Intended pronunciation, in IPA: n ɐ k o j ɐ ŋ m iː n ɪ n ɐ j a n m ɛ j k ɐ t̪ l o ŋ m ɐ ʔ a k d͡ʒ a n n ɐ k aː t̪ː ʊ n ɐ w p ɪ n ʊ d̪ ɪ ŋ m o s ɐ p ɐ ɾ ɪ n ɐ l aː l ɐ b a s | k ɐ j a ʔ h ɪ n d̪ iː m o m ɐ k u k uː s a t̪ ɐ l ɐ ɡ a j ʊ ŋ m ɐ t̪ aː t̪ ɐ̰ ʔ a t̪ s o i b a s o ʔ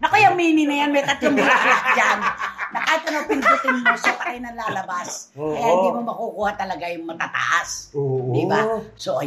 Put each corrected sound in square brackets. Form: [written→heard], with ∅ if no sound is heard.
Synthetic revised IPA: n ɐ k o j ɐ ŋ m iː n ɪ n ɐ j a n m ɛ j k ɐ t̪ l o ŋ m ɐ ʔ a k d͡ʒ a n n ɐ k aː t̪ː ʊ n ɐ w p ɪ n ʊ [d̪→t̪] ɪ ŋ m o s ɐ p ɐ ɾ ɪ n ɐ l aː l ɐ b a s | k ɐ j a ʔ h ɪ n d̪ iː m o m ɐ k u k uː [s→h] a t̪ ɐ l ɐ ɡ a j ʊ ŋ m ɐ t̪ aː t̪ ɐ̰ ʔ a [t̪→∅] s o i b a s o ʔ

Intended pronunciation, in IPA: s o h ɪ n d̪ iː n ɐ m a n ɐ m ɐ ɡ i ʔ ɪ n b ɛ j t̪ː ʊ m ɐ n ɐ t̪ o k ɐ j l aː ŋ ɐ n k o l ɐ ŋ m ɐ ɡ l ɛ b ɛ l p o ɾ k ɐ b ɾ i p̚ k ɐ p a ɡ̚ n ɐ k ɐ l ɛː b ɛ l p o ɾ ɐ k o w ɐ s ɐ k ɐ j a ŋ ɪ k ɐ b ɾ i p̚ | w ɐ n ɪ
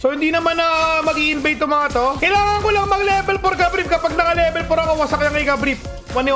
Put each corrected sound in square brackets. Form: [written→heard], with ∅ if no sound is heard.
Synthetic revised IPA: s o h ɪ n d̪ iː n ɐ m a n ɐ m ɐ ɡ i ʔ ɪ n b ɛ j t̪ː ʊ m ɐ [n→ŋ] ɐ t̪ o k ɐ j l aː ŋ ɐ [n→ŋ] k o l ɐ ŋ m ɐ ɡ l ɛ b ɛ l p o ɾ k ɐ b ɾ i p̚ k ɐ p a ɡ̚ n ɐ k ɐ l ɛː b ɛ l p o ɾ ɐ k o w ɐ s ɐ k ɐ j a ŋ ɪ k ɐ b ɾ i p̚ | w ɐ n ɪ

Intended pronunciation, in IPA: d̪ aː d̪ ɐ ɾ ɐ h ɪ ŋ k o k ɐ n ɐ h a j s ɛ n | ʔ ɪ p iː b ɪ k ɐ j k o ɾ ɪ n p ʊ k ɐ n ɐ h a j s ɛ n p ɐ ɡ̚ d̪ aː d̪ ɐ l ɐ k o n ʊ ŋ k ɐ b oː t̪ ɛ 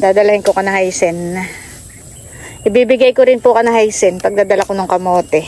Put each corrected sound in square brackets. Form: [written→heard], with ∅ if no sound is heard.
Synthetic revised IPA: d̪ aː d̪ ɐ [ɾ→l] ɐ h ɪ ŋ k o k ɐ n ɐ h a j s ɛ n | ʔ ɪ [p→b] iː b ɪ [k→ɡ] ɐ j k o ɾ ɪ n p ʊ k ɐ n ɐ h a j s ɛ n p ɐ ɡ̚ d̪ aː d̪ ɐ l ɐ k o n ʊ ŋ k ɐ [b→m] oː t̪ ɛ

